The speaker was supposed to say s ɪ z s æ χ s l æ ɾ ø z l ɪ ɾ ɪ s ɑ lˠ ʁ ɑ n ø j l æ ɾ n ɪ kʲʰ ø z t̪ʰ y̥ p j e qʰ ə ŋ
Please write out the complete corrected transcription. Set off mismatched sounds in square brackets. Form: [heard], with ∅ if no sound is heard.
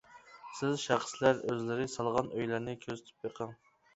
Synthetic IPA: s ɪ z [ʃ] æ χ s l æ ɾ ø z l ɪ ɾ ɪ s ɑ lˠ ʁ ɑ n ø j l æ ɾ n ɪ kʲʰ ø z t̪ʰ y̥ p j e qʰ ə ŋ